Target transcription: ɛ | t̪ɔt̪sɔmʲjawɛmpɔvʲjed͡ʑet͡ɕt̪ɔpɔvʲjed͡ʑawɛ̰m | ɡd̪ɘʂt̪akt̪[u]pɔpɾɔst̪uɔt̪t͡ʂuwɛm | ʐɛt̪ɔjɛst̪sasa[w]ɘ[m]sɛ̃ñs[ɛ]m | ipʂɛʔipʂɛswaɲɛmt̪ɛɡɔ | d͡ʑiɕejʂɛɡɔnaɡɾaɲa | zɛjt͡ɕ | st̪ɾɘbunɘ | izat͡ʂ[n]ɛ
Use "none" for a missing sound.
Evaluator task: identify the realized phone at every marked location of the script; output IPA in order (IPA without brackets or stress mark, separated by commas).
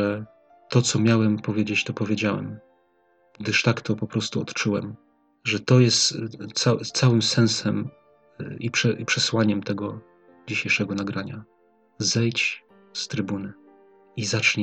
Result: ɔ, w, m, ɛ, ɲ